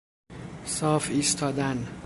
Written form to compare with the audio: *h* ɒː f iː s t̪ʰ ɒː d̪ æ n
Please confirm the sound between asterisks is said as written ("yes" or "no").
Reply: no